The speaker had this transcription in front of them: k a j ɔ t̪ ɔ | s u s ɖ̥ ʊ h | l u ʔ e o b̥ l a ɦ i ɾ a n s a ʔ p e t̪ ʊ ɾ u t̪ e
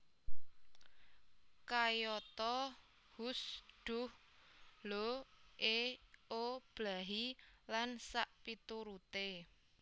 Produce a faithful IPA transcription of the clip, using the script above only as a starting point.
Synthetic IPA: k a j ɔ t̪ ɔ | h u s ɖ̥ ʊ h | l o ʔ e o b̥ l a ɦ i l a n s a ʔ p i t̪ u ɾ u t̪ e